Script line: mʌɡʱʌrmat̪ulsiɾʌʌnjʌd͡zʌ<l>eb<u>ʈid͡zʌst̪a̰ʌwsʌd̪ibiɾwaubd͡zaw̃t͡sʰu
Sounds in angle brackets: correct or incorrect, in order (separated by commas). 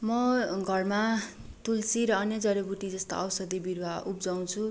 incorrect, correct